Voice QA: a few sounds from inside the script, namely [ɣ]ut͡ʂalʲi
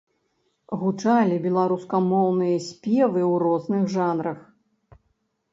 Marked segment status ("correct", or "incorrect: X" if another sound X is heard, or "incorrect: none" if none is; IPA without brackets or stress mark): correct